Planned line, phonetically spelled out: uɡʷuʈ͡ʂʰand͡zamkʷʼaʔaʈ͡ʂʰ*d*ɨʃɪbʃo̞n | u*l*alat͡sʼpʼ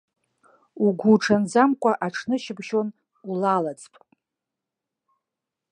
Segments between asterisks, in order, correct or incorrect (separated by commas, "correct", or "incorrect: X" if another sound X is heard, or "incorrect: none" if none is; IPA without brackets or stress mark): incorrect: n, correct